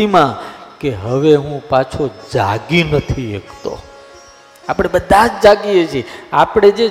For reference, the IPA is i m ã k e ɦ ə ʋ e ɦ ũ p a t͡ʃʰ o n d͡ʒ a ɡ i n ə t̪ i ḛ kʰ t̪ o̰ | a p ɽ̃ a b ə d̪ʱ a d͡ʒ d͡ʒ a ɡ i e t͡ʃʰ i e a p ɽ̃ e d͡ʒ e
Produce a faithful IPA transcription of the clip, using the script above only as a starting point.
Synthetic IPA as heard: i m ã k e ɦ ə ʋ e ɦ ũ p a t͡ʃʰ o d͡ʒ a ɡ i n ə t̪ʰ i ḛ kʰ t̪ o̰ | a p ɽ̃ e b ə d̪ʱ a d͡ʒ d͡ʒ a ɡ i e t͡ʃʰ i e a p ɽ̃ e d͡ʒ e